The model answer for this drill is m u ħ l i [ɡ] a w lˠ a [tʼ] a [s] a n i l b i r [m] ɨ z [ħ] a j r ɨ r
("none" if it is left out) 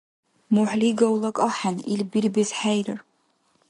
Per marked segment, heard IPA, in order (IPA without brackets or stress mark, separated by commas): ɡ, kʼ, ħ, b, ħ